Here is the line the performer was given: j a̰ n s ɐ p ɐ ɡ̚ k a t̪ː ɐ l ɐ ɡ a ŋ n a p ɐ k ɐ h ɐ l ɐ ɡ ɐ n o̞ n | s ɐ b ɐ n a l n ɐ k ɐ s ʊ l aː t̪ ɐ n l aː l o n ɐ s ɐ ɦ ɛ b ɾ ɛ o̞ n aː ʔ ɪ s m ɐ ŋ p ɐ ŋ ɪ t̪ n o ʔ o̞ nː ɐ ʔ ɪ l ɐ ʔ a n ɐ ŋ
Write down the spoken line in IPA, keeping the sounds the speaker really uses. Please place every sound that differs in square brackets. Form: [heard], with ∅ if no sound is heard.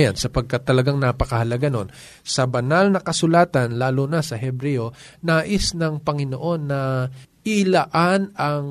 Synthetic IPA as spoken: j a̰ n s ɐ p ɐ ɡ̚ k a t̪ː ɐ l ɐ ɡ a ŋ n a p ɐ k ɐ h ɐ l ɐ ɡ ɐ n o̞ n | s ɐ b ɐ n a l n ɐ k ɐ s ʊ l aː t̪ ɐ n l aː l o n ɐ s ɐ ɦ ɛ b ɾ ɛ o̞ n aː ʔ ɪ s [n] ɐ ŋ p ɐ ŋ ɪ [∅] n o ʔ o̞ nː ɐ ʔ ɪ l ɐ ʔ a n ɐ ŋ